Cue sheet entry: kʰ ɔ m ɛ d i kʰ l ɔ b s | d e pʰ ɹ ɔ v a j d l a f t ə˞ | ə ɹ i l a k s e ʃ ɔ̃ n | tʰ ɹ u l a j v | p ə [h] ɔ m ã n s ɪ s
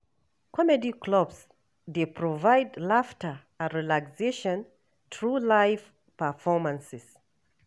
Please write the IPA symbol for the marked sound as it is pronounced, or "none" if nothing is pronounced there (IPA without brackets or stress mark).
f